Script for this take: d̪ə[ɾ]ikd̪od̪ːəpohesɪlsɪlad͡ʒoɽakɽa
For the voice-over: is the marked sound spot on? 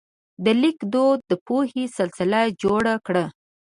no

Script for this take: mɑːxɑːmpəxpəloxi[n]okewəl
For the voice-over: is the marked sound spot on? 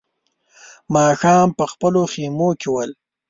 no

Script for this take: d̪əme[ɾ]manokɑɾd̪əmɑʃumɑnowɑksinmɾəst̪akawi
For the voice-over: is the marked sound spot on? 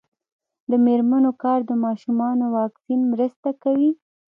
yes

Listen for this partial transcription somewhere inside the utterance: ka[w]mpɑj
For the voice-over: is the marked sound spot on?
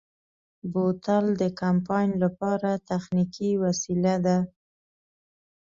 no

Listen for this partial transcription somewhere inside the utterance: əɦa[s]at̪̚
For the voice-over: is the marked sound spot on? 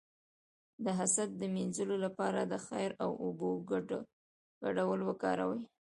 yes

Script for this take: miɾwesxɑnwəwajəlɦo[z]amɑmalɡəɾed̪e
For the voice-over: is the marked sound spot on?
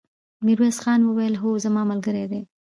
yes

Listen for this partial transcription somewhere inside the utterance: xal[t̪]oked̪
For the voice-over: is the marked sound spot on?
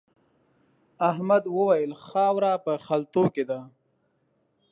yes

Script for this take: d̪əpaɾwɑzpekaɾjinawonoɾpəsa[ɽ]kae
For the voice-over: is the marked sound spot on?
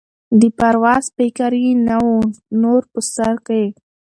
no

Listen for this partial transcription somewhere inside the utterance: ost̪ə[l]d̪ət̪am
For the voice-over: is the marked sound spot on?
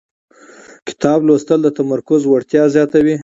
yes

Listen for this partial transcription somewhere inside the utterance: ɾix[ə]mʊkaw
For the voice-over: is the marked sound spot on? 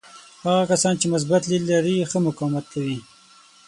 yes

